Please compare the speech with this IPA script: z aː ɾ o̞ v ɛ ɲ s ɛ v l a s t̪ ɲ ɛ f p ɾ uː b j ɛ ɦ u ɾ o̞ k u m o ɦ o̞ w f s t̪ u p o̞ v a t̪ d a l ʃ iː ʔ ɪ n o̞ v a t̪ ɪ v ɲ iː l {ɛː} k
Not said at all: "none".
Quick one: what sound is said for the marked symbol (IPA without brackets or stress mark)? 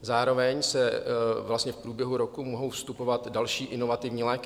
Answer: ɛː